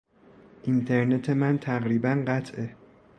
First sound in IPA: ʔ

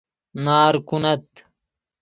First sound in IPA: n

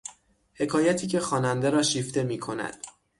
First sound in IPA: h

